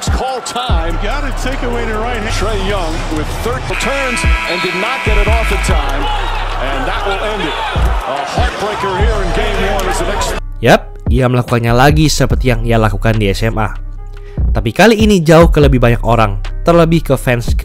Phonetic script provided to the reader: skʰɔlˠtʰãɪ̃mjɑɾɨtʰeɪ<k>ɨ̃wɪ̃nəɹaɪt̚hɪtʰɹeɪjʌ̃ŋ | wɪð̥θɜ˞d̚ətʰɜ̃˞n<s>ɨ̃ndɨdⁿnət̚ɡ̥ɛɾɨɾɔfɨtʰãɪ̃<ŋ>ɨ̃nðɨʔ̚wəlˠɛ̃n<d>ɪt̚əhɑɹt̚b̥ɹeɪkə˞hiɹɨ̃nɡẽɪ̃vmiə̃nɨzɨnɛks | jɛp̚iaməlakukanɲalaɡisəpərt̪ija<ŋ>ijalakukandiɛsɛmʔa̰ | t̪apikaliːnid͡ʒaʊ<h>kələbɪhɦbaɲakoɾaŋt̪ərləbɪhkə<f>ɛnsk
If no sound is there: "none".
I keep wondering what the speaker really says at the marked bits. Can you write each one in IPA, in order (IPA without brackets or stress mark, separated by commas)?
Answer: k, z, m, d, ŋ, h, f